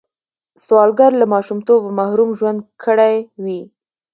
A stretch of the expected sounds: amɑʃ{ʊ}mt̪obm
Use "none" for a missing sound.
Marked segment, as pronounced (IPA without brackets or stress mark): u